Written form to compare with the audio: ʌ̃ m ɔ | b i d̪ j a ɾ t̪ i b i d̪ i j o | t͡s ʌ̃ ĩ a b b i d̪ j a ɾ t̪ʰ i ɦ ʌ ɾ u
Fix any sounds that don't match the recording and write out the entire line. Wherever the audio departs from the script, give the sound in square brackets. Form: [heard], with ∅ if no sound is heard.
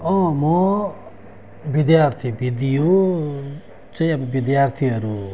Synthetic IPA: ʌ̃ m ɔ | b i d̪ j a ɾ [t̪ʰ] i b i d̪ i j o | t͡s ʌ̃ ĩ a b b i d̪ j a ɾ t̪ʰ i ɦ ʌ ɾ u